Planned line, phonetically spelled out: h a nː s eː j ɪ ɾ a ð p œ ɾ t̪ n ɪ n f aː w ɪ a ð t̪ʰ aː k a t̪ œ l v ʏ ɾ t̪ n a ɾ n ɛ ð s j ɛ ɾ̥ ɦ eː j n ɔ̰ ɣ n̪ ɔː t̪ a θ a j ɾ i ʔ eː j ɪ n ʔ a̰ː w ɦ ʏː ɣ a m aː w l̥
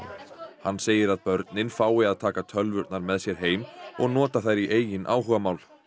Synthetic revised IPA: h a nː s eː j ɪ ɾ a ð p œ ɾ t̪ n ɪ n f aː w ɪ a ð t̪ʰ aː k a t̪ʰ œ l v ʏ ɾ t̪ n a ɾ m ɛ ð s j ɛ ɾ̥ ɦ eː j m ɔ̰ ɣ n̪ ɔː t̪ a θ a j ɾ i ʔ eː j ɪ n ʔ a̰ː w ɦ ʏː ɣ a m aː w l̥